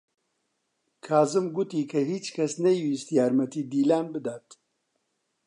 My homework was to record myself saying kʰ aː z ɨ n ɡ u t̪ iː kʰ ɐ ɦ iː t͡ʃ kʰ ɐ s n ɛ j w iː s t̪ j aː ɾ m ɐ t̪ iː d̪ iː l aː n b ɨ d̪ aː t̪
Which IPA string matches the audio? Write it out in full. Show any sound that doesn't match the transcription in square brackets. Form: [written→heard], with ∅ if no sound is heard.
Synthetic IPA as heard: kʰ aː z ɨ [n→m] ɡ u t̪ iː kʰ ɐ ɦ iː t͡ʃ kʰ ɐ s n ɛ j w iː s t̪ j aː ɾ m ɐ t̪ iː d̪ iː l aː n b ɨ d̪ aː t̪